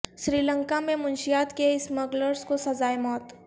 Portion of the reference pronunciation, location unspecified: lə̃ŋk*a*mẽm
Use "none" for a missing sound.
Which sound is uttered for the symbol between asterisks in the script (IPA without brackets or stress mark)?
a